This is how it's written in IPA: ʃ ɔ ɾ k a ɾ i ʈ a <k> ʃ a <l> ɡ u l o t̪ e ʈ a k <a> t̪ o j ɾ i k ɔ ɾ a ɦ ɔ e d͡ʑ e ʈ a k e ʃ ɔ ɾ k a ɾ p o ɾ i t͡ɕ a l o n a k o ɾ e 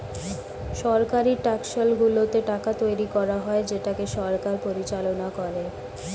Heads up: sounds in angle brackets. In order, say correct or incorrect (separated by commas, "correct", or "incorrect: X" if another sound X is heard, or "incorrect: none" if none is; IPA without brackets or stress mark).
correct, correct, correct